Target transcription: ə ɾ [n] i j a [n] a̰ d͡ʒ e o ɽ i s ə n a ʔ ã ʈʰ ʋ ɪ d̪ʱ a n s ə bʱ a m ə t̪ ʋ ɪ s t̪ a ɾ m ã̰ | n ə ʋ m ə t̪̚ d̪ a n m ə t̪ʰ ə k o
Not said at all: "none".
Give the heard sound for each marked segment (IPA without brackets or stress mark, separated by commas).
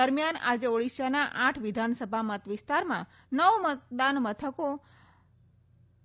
m, n